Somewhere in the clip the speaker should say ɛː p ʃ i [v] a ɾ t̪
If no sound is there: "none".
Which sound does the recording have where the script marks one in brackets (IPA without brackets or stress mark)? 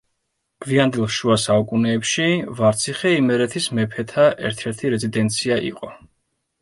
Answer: v